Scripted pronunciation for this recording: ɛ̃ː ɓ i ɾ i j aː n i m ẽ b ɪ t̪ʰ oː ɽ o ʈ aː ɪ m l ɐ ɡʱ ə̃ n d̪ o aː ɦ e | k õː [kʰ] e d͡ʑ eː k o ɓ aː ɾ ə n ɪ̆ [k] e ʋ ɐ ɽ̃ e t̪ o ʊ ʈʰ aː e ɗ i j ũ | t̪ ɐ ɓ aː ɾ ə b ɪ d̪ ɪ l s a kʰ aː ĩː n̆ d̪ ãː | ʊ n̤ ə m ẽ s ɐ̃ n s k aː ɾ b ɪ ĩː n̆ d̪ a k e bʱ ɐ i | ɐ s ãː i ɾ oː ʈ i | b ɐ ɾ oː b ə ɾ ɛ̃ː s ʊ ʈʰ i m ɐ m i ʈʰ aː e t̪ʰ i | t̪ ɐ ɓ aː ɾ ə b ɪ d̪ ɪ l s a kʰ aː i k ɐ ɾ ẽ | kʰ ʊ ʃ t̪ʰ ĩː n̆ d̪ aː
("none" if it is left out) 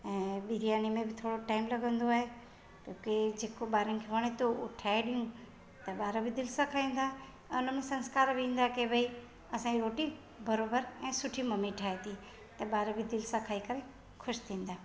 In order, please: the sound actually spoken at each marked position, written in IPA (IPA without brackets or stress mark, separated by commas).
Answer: k, kʰ